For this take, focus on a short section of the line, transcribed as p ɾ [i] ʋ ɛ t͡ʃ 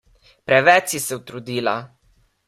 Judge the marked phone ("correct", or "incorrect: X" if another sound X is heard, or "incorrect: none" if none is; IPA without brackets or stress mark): incorrect: ɛ